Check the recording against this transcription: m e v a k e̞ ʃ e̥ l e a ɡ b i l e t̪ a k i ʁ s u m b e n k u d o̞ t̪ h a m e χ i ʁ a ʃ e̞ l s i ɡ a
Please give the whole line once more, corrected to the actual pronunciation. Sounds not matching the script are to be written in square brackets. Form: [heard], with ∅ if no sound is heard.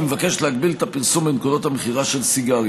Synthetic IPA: m e v a k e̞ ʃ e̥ l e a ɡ b i l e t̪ a [p] i ʁ s u m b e n k u d o̞ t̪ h a m e χ i ʁ a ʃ e̞ l s i ɡ a